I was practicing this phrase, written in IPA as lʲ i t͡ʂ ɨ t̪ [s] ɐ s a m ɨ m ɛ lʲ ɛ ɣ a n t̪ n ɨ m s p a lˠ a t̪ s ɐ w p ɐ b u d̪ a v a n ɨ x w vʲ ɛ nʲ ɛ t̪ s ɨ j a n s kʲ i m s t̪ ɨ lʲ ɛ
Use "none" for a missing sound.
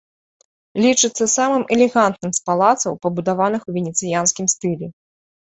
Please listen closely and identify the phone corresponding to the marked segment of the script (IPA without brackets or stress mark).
sː